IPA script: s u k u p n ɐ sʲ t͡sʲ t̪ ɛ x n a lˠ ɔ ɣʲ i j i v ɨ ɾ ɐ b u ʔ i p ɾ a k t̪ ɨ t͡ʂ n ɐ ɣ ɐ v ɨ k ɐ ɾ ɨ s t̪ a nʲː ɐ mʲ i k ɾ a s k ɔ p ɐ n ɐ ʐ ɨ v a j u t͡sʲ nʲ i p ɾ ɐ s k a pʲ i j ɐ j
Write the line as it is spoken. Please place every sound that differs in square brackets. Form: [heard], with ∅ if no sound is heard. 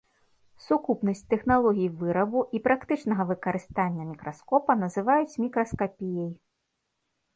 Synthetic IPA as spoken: s u k u p n ɐ sʲ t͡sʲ t̪ ɛ x n a lˠ ɔ ɣʲ i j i v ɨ ɾ ɐ b u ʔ i p ɾ a k t̪ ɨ t͡ʂ n ɐ ɣ ɐ v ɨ k ɐ ɾ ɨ s t̪ a nʲː ɐ mʲ i k ɾ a s k ɔ p ɐ n ɐ [z] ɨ v a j u t͡sʲ [mʲ] i [k] ɾ ɐ s k a pʲ i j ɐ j